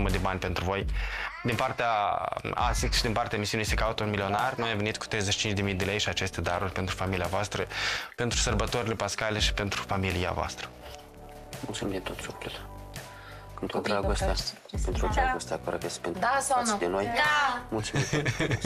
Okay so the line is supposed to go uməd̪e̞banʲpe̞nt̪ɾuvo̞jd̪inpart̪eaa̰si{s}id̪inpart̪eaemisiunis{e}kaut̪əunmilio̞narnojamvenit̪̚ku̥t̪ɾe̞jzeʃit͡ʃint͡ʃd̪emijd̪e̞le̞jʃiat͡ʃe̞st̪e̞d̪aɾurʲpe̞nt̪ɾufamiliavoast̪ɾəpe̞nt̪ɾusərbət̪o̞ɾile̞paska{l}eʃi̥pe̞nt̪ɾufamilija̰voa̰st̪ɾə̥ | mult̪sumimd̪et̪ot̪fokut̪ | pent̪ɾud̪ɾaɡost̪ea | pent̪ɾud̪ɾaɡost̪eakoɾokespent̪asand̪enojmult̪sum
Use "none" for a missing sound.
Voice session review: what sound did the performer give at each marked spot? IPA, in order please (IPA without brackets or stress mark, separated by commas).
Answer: ʃ, e, l